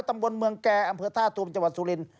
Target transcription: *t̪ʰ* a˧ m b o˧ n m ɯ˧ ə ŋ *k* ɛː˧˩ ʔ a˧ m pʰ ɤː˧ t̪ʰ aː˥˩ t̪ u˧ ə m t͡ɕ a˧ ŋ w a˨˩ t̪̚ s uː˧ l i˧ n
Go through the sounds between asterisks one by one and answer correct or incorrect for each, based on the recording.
incorrect: t̪, correct

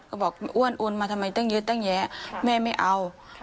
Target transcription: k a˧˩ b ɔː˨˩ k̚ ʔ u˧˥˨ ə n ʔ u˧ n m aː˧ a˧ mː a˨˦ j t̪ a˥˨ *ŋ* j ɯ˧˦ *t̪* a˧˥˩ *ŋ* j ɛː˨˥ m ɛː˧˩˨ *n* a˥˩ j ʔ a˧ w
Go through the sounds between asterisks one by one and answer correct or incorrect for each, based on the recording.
correct, correct, correct, incorrect: m

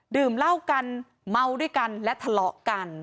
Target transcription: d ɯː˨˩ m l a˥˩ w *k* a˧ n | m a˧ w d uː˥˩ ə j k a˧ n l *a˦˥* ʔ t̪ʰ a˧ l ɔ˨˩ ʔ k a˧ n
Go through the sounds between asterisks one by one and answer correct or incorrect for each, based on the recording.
correct, incorrect: ɛ˦˥

